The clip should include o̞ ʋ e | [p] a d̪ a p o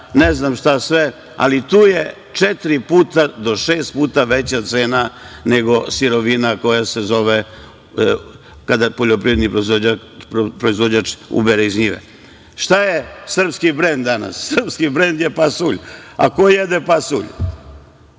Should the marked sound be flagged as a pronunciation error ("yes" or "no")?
yes